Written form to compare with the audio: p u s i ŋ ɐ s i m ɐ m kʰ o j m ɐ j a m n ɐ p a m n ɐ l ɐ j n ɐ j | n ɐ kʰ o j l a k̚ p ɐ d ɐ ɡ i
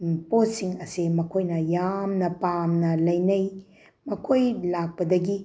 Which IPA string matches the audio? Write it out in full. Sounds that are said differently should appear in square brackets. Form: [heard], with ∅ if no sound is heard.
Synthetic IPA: p [o] s i ŋ ɐ s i m ɐ [∅] kʰ o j [n] ɐ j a m n ɐ p a m n ɐ l ɐ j n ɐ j | [m] ɐ kʰ o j l a k̚ p ɐ d ɐ ɡ i